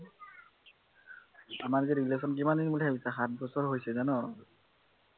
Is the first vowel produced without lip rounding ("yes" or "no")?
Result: yes